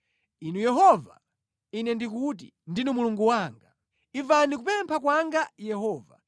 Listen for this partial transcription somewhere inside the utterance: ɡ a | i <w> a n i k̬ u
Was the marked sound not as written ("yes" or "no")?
yes